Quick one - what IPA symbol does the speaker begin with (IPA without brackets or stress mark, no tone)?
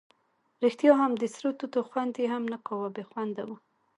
ɾ